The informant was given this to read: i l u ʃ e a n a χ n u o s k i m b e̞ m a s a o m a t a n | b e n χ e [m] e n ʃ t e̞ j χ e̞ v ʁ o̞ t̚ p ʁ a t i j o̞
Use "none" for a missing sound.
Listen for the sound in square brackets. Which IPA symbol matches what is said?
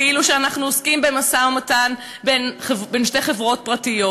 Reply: b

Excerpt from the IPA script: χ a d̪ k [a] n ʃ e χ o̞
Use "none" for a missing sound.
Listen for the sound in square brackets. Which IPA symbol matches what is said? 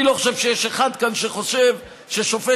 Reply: a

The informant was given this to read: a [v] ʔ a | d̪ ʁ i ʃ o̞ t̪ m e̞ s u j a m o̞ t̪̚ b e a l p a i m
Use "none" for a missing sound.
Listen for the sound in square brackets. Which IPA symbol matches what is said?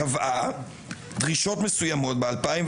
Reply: v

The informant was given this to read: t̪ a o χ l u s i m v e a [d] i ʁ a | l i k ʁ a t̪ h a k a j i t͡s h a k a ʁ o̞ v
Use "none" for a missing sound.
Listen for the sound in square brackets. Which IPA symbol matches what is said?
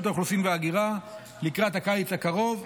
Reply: ɡ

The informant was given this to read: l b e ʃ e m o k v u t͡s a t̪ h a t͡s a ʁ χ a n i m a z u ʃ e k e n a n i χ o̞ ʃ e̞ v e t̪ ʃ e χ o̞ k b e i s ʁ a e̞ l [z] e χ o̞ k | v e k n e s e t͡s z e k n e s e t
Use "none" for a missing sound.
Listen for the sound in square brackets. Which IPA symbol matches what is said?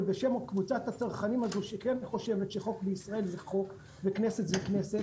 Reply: z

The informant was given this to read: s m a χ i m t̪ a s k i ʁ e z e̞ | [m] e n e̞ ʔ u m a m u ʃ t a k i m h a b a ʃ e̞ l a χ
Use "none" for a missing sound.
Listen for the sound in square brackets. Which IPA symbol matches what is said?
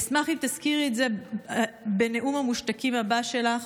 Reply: b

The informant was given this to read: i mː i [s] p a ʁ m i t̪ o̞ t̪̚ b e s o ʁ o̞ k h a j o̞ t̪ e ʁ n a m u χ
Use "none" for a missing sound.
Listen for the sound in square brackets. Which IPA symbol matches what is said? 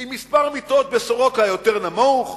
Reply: s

